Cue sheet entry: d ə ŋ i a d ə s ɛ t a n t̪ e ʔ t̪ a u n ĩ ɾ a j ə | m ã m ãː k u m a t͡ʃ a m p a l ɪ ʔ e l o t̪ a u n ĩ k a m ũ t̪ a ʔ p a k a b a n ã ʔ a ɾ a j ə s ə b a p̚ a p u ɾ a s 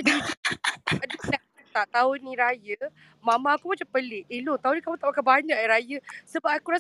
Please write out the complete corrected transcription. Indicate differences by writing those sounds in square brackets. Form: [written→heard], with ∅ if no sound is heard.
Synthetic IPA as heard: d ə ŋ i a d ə s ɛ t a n t̪ [e→a] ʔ t̪ a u n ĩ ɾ a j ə | m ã m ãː k u m a t͡ʃ a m p [a→ə] l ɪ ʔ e l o t̪ a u n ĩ k a m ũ t̪ a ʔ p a k a b a [n→ɲ] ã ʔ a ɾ a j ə s ə b a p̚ a [p→k] u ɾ a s